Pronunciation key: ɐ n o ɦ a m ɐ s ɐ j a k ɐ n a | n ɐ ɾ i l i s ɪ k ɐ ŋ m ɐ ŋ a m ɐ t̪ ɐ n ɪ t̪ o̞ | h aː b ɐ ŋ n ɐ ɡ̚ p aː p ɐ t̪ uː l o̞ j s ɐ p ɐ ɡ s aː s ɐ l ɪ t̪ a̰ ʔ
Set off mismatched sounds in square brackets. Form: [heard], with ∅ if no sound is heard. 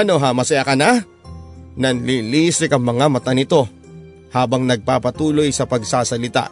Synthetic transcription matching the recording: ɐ n o ɦ a m ɐ s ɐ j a k ɐ n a | n ɐ [l] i l i s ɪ k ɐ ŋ m ɐ ŋ a m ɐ t̪ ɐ n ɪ t̪ o̞ | h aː b ɐ ŋ n ɐ ɡ̚ p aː p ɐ t̪ uː l o̞ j s ɐ p ɐ ɡ s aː s ɐ l ɪ t̪ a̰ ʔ